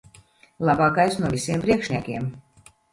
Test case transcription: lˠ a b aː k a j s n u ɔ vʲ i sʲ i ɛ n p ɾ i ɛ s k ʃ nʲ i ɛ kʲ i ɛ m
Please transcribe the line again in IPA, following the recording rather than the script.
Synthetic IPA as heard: lˠ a b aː k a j s n u ɔ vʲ i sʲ i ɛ m p ɾ i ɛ k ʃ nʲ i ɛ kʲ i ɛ m